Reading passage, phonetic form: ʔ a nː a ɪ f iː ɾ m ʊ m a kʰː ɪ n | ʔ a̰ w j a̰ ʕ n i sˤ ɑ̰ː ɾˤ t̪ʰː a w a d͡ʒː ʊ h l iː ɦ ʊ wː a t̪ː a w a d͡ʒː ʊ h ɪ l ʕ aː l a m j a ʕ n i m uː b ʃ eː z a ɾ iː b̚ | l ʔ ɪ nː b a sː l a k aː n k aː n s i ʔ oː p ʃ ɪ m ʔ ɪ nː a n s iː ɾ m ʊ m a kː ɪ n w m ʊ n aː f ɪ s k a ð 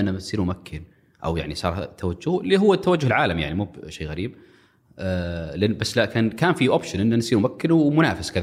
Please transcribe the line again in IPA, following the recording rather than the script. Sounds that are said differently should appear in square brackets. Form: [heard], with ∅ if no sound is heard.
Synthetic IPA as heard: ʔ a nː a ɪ [s] iː ɾ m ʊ m a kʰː ɪ n | ʔ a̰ w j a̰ ʕ n i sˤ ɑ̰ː ɾˤ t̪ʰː a w a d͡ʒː ʊ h l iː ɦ ʊ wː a t̪ː a w a d͡ʒː ʊ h ɪ l ʕ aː l a m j a ʕ n i m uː b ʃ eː [ɣ] a ɾ iː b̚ | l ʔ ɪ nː b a sː l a k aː n k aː n [f] i ʔ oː p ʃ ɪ [n] ʔ ɪ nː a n s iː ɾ m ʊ m a kː ɪ n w m ʊ n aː f ɪ s k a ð